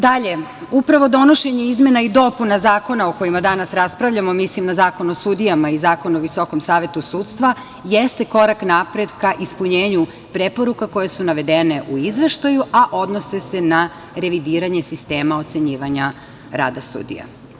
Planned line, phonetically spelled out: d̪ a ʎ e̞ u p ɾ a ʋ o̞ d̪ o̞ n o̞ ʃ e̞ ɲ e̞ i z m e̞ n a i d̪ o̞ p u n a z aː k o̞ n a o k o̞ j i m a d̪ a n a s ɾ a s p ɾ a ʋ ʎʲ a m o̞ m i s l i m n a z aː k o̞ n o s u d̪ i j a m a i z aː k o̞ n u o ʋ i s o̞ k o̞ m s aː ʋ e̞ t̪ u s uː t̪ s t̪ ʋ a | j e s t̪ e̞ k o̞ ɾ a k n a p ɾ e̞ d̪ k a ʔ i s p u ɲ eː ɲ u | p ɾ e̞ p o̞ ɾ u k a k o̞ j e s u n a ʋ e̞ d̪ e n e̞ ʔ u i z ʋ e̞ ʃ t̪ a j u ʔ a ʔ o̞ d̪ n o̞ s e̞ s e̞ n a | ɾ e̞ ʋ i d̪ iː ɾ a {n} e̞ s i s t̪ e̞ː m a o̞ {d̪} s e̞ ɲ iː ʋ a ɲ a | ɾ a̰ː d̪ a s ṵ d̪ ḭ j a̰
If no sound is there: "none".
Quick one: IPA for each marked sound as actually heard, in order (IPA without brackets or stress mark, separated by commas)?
ɲ, t̪